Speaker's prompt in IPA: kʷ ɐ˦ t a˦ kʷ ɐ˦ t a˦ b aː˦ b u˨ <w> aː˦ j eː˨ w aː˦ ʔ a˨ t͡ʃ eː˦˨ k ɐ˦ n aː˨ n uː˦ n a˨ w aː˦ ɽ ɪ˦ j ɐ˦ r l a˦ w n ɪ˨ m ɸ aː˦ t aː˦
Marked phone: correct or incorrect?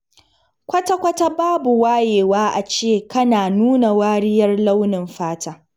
correct